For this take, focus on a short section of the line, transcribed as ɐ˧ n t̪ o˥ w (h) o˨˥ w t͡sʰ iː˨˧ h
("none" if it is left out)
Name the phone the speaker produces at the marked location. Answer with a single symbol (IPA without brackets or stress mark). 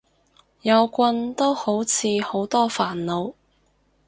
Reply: h